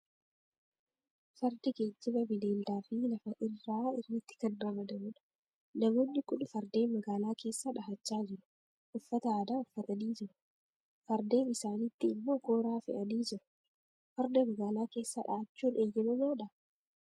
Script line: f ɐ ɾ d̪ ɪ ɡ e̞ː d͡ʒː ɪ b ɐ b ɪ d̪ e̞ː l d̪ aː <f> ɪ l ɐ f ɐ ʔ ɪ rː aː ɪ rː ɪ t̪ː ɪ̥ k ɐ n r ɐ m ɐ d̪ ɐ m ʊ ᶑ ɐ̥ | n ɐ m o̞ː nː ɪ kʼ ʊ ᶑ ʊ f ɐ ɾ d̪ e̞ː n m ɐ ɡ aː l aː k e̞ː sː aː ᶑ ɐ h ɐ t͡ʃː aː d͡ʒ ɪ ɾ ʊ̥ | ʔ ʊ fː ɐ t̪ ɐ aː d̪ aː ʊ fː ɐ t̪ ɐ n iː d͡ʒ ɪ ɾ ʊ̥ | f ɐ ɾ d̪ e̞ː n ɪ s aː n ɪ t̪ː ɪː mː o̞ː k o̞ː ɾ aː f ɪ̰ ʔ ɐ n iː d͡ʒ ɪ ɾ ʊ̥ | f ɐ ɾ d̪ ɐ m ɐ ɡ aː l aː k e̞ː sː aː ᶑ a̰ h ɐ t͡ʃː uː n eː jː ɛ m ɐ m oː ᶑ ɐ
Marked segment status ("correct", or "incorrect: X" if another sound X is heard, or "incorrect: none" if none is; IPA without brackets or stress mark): correct